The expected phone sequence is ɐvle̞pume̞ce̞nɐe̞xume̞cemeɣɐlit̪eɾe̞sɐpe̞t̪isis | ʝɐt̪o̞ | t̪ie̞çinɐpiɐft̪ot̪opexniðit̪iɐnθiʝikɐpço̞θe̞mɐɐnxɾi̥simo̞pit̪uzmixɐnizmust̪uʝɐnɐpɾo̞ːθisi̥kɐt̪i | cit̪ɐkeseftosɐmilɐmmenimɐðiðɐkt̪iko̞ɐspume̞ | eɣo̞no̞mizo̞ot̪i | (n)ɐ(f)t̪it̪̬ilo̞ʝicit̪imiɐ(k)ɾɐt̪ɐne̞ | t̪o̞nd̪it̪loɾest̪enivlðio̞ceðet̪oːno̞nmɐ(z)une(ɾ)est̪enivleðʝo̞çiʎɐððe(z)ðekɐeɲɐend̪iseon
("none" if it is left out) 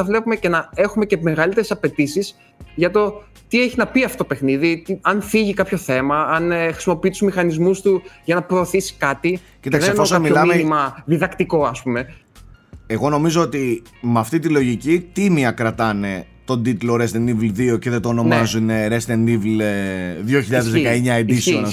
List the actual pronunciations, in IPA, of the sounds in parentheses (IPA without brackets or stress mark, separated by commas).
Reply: m, f, k, z, ɾ, z